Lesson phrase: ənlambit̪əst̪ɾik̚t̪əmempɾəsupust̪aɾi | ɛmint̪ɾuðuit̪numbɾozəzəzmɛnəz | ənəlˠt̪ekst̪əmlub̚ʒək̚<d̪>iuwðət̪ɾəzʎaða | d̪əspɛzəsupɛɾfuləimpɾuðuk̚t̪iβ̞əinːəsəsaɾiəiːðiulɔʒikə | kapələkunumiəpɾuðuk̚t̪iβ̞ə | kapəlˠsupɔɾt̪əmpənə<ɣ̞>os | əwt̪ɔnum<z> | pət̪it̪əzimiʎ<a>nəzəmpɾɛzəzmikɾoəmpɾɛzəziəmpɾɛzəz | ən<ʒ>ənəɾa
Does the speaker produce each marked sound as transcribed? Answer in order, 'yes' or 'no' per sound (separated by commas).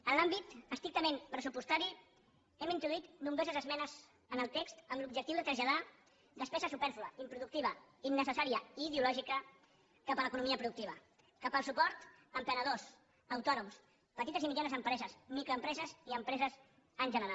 no, no, no, yes, yes